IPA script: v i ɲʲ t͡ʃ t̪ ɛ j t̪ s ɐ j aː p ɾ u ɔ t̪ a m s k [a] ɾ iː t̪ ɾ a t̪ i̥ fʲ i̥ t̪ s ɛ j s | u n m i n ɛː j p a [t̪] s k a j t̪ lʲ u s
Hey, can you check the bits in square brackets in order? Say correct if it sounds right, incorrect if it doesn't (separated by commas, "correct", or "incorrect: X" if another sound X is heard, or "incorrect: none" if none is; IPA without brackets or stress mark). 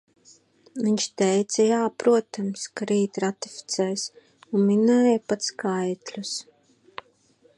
correct, correct